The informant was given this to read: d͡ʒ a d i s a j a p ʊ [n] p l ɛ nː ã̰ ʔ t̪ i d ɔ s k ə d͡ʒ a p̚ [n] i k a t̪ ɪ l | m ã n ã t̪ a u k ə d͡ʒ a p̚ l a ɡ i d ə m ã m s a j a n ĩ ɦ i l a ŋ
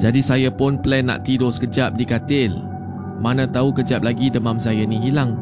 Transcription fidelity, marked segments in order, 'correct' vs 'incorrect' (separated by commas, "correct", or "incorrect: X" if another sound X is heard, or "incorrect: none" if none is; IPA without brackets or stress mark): correct, incorrect: d